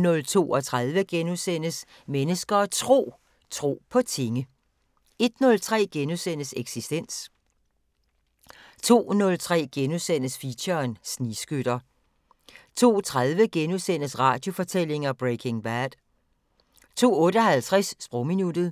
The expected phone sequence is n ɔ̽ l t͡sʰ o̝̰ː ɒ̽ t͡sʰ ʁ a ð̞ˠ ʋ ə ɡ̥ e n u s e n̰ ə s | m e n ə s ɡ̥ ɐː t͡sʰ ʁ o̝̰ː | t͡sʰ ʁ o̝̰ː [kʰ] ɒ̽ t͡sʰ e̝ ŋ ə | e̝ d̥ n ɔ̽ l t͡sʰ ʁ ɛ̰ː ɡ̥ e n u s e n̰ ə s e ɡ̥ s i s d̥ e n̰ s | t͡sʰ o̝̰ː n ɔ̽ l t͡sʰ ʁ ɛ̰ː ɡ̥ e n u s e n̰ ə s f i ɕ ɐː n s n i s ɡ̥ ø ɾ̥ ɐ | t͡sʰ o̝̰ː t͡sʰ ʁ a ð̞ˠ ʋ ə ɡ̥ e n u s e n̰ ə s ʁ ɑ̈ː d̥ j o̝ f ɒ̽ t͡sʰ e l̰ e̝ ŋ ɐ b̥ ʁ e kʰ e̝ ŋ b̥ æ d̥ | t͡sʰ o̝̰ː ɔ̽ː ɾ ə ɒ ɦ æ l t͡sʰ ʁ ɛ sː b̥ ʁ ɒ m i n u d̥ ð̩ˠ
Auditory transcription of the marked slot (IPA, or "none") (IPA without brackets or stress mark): pʰ